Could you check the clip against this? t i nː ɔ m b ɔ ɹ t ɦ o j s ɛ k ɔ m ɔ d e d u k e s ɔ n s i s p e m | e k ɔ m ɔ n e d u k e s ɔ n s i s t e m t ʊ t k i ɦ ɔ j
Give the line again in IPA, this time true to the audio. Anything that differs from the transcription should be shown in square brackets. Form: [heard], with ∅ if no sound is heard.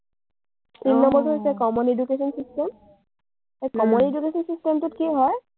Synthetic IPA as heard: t i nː ɔ m b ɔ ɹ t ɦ o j s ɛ k ɔ m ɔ [n] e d u k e s ɔ n s i s [t] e m | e k ɔ m ɔ n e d u k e s ɔ n s i s t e m t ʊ t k i ɦ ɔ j